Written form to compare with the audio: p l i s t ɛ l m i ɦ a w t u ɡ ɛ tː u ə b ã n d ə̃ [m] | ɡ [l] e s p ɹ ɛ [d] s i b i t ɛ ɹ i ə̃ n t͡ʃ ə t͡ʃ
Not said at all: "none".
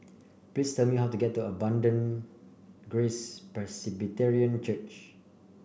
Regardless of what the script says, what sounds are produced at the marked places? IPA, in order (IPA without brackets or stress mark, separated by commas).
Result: n, ɹ, none